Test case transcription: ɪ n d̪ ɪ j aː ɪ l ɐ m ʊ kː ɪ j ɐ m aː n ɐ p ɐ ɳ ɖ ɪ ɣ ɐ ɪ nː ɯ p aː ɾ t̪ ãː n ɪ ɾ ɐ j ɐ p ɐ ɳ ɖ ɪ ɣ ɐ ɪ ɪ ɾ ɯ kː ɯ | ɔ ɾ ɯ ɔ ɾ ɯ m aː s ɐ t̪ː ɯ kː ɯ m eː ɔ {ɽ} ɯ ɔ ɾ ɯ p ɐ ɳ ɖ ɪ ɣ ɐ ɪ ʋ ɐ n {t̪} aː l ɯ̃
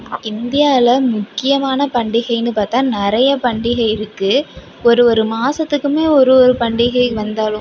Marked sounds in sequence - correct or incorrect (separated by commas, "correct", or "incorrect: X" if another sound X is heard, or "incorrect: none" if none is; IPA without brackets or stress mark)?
incorrect: ɾ, incorrect: d̪